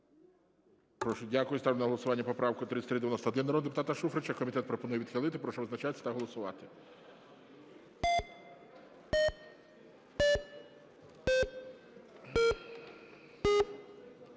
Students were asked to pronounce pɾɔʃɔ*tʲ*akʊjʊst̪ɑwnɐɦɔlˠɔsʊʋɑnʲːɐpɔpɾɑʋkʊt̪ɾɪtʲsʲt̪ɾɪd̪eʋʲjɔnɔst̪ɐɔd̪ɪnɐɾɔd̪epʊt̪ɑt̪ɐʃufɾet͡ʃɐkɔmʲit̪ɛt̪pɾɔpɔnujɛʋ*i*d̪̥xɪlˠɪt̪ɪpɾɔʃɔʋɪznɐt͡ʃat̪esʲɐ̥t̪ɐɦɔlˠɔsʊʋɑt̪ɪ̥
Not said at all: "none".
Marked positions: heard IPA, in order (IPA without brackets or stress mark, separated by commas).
dʲ, i